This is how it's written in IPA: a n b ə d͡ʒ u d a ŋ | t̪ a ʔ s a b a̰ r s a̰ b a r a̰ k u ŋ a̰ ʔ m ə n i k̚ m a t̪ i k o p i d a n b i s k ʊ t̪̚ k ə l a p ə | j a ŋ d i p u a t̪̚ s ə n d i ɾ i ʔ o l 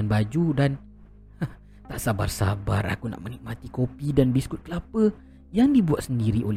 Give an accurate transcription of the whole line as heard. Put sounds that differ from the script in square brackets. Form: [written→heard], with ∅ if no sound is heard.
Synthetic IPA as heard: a n b [ə→a] d͡ʒ u d a [ŋ→n] | t̪ a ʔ s a b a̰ r s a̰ b a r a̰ k u [ŋ→n] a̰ ʔ m ə n i k̚ m a t̪ i k o p i d a n b i s k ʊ t̪̚ k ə l a p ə | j a ŋ d i [p→b] u a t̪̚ s ə n d i ɾ i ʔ o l